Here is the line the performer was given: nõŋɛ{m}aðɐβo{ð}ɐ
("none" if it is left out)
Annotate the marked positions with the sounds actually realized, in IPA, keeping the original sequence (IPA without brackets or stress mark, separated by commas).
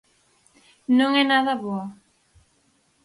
n, none